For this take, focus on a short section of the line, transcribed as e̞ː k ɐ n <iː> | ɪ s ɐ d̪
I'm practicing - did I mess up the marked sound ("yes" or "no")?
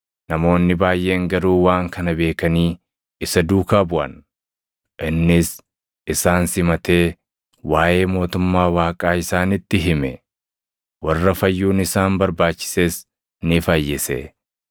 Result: no